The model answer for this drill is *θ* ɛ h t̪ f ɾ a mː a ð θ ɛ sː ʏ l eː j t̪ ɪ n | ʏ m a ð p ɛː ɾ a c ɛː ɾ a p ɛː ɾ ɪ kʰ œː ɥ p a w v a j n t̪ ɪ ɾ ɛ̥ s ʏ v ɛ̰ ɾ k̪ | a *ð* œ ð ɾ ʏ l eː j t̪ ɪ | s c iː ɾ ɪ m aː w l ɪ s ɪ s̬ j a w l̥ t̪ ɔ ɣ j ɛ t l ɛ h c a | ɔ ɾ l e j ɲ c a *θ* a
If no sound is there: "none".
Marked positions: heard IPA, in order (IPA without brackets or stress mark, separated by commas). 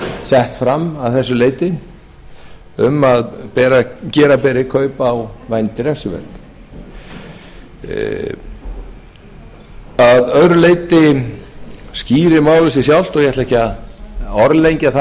s, ð, θ